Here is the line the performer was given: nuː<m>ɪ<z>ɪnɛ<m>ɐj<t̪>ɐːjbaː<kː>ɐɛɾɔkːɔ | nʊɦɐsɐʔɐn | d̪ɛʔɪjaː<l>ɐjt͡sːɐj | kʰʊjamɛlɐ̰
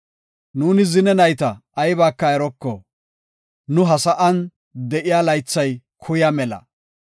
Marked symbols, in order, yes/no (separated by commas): no, yes, no, yes, yes, yes